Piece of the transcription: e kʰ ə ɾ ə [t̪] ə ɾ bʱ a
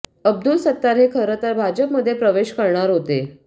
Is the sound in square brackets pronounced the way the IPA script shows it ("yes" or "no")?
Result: yes